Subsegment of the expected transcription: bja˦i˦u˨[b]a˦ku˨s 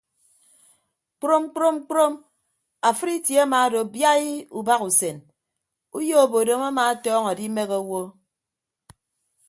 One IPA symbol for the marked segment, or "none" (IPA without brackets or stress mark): b